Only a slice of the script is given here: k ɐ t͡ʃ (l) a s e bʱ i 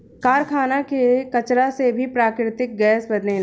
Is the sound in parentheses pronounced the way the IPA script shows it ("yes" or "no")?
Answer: no